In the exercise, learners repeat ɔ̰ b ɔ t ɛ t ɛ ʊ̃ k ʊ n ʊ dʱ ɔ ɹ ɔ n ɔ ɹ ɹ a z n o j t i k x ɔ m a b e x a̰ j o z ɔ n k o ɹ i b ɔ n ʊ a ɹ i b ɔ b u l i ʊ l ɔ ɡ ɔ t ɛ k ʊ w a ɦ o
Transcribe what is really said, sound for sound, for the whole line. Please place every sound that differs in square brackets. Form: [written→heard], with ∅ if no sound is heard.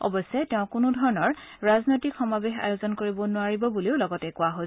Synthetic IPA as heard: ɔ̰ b ɔ [t→s] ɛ t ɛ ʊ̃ k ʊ n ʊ dʱ ɔ ɹ ɔ n ɔ ɹ ɹ a z n o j t i k x ɔ m a b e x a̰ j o z ɔ n k o ɹ i b ɔ n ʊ a ɹ i b ɔ b u l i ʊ l ɔ ɡ ɔ t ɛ k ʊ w a ɦ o

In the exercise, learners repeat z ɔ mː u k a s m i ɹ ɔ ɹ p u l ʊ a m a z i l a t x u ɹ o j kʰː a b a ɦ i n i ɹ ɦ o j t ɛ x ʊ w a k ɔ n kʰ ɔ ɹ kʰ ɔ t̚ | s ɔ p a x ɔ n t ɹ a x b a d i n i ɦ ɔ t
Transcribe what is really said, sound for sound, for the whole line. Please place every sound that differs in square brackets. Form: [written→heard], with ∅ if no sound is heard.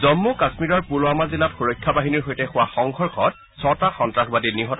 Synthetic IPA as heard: z ɔ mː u k a s m i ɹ ɔ ɹ p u l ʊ a m a z i l a t x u ɹ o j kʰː a b a ɦ i n i ɹ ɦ o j t ɛ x ʊ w a [k→x] ɔ [n→ŋ] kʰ ɔ ɹ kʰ ɔ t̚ | s ɔ [p→t] a x ɔ n t ɹ a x b a d i n i ɦ ɔ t

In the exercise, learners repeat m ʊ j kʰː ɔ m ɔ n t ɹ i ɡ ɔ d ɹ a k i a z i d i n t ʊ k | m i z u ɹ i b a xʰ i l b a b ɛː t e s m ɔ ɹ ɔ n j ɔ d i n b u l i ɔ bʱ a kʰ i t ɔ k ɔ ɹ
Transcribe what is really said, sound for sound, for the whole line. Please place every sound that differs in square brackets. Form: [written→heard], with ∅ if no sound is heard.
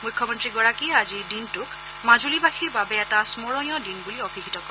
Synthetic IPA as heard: m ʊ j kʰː ɔ m ɔ n t ɹ i ɡ ɔ [d→∅] ɹ a k i a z i d i n t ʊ k | m [i→a] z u [ɹ→l] i b a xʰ i [l→ɹ] b a b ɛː t [e→a] s m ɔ ɹ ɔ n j ɔ d i n b u l i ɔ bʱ [a→i] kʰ i t ɔ k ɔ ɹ

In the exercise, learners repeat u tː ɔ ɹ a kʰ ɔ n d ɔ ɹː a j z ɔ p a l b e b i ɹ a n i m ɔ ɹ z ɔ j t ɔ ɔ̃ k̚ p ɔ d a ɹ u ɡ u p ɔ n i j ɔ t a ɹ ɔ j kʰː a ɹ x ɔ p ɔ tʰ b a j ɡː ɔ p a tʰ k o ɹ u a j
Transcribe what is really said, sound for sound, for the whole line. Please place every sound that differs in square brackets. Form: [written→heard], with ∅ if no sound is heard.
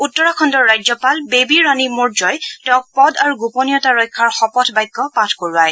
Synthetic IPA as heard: u tː ɔ ɹ a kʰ ɔ n d ɔ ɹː a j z ɔ p a l b e b i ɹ a n i m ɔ ɹ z ɔ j t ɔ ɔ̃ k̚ p ɔ d a ɹ u ɡ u p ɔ n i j ɔ t a ɹ ɔ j kʰː a ɹ x ɔ p ɔ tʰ b a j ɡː ɔ p a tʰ k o ɹ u a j

